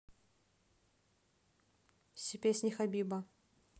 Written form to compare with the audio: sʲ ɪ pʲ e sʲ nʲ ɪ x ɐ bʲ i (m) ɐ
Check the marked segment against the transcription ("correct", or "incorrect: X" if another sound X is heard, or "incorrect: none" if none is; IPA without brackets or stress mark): incorrect: b